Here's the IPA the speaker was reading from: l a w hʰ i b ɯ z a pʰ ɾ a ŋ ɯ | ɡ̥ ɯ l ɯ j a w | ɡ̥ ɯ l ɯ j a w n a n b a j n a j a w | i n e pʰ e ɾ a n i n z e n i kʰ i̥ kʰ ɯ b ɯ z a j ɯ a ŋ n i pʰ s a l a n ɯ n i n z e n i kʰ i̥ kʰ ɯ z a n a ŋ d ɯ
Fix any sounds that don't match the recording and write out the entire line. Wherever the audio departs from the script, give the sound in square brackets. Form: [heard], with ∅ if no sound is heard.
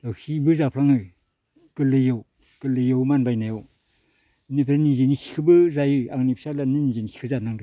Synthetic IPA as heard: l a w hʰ i b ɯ z a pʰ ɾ a ŋ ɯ | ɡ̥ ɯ l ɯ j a w | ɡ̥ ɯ l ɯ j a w [m] a n b a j n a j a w | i n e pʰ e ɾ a n i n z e n i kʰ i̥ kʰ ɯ b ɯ z a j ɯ a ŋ n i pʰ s a l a n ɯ n i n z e n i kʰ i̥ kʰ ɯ z a n a ŋ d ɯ